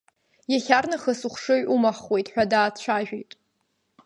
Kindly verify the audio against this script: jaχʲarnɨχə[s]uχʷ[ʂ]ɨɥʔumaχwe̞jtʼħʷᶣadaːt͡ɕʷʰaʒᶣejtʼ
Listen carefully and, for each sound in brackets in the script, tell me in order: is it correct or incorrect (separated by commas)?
correct, correct